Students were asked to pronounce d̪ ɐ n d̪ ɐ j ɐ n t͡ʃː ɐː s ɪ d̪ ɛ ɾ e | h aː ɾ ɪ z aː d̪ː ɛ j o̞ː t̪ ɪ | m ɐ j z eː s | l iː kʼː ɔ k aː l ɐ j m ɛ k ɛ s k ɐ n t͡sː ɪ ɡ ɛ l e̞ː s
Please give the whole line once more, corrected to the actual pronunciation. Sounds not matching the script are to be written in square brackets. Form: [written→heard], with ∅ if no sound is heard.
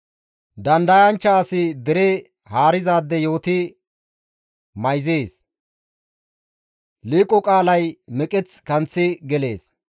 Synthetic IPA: d̪ ɐ n d̪ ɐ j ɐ n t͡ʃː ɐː s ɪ d̪ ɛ ɾ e | h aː ɾ ɪ z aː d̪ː ɛ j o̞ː t̪ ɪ | m ɐ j z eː s | l iː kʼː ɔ [k→kʼ] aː l ɐ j m ɛ [k→kʼ] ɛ [s→t͡s] k ɐ n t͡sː ɪ ɡ ɛ l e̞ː s